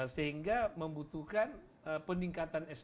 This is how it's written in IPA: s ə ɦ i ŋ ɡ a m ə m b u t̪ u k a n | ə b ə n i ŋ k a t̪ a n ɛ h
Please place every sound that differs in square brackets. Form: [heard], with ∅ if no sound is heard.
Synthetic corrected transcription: s ə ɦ i ŋ ɡ a m ə m b u t̪ u k a n | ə [p] ə n i ŋ k a t̪ a n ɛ [s]